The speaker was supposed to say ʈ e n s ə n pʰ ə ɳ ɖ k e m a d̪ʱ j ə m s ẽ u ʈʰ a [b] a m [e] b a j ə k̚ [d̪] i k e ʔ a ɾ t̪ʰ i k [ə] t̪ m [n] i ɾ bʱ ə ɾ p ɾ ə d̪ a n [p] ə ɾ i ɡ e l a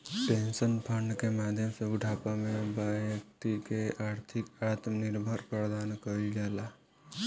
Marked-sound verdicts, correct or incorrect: incorrect, correct, incorrect, incorrect, correct, incorrect

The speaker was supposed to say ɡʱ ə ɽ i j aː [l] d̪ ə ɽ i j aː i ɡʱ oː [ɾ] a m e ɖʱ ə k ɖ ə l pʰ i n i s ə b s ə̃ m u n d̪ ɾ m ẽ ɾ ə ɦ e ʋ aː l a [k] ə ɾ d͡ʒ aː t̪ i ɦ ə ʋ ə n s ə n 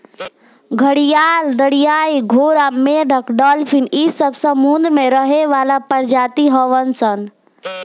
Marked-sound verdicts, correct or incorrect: correct, correct, incorrect

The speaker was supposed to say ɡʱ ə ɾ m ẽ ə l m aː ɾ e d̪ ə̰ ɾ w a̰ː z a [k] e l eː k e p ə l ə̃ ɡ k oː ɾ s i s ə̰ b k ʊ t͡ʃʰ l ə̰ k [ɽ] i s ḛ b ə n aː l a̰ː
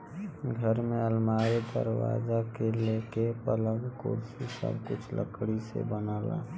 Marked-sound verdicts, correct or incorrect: correct, correct

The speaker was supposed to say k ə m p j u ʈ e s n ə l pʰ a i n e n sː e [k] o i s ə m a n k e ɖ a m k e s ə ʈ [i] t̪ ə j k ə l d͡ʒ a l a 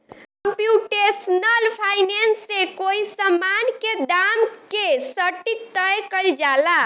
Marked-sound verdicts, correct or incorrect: correct, correct

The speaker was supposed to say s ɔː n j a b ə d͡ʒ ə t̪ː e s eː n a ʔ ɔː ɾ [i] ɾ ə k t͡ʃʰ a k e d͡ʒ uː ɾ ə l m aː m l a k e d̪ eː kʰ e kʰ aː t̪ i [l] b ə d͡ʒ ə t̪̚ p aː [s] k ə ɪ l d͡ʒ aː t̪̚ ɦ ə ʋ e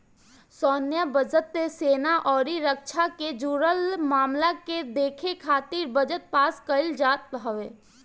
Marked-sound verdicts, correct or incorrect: correct, incorrect, correct

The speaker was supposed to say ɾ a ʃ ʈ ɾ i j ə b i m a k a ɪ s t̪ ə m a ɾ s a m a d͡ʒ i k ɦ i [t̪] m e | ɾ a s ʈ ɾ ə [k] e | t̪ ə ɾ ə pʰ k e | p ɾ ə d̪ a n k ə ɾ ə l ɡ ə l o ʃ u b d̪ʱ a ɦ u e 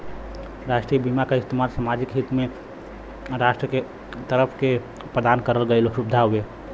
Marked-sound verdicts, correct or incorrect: correct, correct

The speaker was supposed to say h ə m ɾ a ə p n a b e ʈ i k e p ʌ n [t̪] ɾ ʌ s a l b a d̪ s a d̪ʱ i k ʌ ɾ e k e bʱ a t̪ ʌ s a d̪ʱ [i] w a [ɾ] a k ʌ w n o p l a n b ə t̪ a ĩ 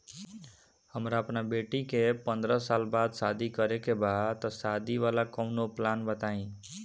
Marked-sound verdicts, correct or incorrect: incorrect, correct, incorrect

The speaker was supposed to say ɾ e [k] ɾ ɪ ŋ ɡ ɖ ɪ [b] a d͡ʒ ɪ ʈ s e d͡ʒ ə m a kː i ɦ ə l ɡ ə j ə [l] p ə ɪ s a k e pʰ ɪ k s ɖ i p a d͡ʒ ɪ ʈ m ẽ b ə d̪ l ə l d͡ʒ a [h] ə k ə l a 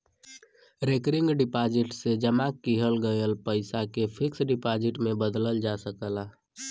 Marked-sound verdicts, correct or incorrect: correct, incorrect, correct, incorrect

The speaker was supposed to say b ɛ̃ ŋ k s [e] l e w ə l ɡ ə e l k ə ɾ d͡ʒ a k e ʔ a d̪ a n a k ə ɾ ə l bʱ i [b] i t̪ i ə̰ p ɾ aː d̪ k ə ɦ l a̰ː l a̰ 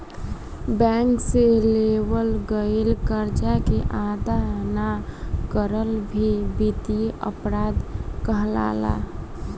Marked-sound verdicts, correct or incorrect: correct, correct

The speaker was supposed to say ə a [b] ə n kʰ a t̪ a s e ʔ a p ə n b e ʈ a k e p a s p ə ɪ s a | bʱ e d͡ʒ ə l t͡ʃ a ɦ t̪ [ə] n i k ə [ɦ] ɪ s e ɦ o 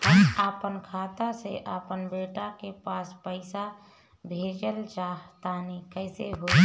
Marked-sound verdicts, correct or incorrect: incorrect, incorrect, incorrect

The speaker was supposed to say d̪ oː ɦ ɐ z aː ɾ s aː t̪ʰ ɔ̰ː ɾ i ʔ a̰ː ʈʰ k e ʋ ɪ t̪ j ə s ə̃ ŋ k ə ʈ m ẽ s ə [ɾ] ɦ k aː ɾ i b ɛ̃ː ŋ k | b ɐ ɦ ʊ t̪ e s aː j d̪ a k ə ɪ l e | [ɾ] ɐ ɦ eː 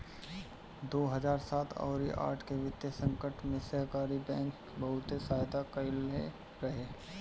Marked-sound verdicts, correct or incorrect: incorrect, correct

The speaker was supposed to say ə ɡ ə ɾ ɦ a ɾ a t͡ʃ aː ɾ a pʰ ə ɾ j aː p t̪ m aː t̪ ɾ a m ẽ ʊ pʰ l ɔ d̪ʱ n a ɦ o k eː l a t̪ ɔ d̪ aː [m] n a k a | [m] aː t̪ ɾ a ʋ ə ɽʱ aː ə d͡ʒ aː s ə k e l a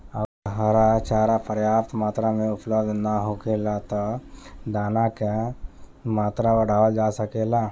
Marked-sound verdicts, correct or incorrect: incorrect, correct

